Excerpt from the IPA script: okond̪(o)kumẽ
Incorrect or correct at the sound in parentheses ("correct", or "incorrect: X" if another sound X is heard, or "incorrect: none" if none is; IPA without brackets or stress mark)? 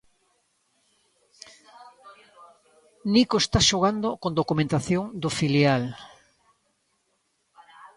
correct